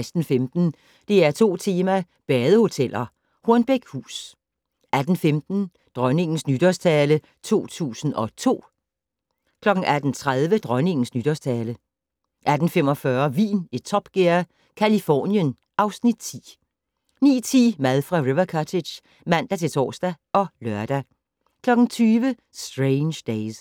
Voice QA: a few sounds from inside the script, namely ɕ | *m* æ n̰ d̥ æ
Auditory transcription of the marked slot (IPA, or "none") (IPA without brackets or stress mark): m